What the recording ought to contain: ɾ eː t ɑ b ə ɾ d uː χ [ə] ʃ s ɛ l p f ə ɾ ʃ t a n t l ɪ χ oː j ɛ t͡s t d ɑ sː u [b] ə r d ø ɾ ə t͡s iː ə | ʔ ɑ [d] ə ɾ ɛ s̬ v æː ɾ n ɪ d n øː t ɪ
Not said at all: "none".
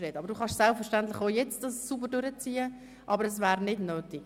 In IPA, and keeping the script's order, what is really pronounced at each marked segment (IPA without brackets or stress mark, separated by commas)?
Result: ɑ, b, b